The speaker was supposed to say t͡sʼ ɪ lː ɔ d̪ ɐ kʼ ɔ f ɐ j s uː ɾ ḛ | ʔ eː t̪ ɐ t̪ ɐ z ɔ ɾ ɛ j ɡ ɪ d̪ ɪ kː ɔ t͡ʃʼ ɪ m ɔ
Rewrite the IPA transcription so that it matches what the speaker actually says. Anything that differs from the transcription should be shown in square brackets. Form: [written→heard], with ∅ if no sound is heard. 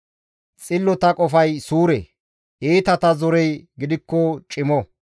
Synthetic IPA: t͡sʼ ɪ lː ɔ [d̪→t̪] ɐ kʼ ɔ f ɐ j s uː ɾ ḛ | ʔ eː t̪ ɐ t̪ ɐ z ɔ ɾ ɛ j ɡ ɪ d̪ ɪ kː ɔ t͡ʃʼ ɪ m ɔ